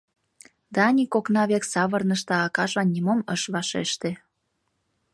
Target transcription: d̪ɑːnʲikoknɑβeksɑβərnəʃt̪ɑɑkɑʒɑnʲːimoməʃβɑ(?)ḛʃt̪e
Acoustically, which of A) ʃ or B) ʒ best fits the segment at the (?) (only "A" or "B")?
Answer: A